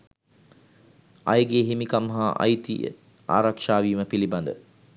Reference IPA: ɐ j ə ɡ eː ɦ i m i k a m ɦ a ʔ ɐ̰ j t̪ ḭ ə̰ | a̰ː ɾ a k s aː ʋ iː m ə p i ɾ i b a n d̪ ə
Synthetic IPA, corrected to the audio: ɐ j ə ɡ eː ɦ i m i k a m ɦ a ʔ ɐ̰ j t̪ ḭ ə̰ | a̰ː ɾ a k ʂ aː ʋ iː m ə p i l i b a n d̪ ə